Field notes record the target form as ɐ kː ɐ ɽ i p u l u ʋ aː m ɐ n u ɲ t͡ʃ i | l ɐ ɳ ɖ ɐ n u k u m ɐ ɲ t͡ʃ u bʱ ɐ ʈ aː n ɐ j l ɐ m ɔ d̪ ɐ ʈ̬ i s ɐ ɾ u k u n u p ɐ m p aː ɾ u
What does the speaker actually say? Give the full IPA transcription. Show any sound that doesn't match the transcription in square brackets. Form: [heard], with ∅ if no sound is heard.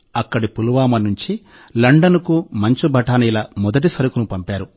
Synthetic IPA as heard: ɐ kː ɐ ɽ i p u l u ʋ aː m ɐ n u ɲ t͡ʃ i | l ɐ ɳ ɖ ɐ n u k u m ɐ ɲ t͡ʃ u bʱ ɐ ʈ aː n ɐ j l ɐ m ɔ d̪ ɐ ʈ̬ i s ɐ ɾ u k u n u p ɐ m p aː ɾ u